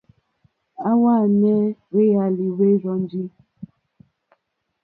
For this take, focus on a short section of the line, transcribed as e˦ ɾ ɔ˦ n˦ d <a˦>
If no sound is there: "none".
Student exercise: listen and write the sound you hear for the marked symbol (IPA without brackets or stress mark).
i˦